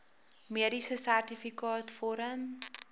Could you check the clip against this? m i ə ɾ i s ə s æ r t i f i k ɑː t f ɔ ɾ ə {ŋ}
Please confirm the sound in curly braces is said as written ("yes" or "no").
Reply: no